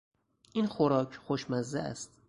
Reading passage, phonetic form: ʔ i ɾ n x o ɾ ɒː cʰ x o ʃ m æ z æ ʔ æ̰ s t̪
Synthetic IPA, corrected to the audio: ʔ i n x o ɾ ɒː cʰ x o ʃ m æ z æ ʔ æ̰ s t̪

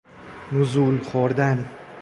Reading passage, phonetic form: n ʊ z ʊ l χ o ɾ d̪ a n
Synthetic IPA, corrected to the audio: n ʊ z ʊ l χ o ɾ d̪ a n

